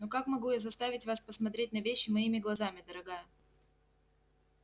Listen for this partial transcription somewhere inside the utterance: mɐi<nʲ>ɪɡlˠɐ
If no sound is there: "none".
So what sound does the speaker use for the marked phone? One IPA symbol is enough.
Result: mʲ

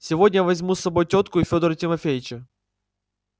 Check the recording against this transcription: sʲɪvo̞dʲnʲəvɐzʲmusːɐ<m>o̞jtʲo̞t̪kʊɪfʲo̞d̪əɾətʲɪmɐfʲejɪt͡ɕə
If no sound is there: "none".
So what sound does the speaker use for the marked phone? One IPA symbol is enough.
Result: b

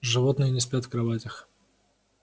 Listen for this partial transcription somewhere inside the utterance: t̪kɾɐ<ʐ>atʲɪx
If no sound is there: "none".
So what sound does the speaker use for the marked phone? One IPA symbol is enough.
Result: v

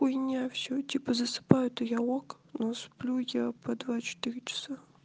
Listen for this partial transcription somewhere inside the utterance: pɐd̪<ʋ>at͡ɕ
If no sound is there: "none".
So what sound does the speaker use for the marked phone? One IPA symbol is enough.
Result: v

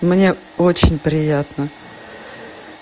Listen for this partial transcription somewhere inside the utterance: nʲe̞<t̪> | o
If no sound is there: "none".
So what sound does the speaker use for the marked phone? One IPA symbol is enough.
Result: none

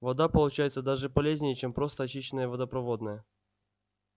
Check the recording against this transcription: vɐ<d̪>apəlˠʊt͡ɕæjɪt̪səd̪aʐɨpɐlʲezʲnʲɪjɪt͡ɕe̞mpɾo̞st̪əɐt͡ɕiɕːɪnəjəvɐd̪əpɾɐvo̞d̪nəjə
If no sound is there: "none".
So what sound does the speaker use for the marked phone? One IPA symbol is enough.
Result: d̪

